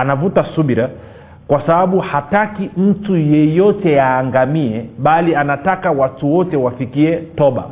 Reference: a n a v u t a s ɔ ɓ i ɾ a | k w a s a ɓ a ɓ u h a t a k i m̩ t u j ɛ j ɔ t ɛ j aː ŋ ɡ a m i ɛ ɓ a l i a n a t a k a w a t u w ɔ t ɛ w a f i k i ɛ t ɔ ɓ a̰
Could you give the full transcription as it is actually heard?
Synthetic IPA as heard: a n a v u t a s u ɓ i ɾ a | k w a s a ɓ a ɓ u h a t a k i m̩ t u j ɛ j ɔ t ɛ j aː ŋ ɡ a m i ɛ ɓ a l i a n a t a k a w a t u w ɔ t ɛ w a f i k i ɛ t ɔ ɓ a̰